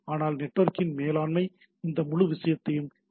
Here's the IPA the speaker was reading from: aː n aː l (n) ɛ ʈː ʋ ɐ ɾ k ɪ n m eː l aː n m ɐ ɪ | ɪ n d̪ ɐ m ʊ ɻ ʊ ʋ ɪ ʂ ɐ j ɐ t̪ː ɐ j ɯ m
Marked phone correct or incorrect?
correct